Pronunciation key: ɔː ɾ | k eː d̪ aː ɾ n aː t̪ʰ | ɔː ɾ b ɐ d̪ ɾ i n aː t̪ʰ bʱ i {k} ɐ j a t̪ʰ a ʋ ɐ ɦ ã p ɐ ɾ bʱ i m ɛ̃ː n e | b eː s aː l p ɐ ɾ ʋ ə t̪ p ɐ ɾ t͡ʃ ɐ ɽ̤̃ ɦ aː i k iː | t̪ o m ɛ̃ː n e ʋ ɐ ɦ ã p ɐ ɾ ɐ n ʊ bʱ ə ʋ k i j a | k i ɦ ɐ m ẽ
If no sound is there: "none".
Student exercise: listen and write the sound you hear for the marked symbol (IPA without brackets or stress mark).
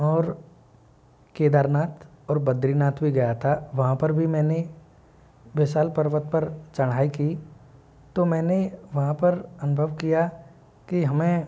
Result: ɡ